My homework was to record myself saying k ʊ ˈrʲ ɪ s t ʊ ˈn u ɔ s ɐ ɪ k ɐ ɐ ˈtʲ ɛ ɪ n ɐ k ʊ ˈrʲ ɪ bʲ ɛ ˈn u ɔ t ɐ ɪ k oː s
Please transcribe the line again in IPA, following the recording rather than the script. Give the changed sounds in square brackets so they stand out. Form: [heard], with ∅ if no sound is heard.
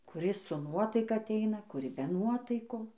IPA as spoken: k ʊ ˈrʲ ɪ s [s] ʊ ˈn u ɔ [t] ɐ ɪ k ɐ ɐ ˈtʲ ɛ ɪ n ɐ k ʊ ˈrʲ ɪ bʲ ɛ ˈn u ɔ t ɐ ɪ k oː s